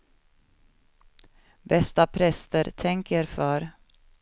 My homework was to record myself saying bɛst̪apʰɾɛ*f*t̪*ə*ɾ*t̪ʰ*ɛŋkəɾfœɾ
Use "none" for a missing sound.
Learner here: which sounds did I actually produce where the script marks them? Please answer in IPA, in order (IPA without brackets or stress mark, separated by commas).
s, ə, t̪ʰ